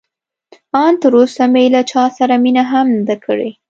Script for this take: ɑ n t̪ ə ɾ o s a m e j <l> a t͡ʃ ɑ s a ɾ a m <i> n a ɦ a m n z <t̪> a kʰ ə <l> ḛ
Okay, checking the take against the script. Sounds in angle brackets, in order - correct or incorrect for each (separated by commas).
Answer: correct, correct, incorrect, incorrect